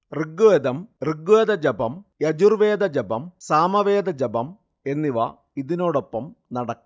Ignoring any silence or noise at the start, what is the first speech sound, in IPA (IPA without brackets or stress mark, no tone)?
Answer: r